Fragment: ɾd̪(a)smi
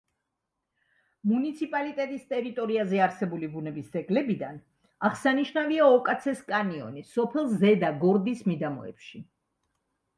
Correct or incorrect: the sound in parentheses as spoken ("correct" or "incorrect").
incorrect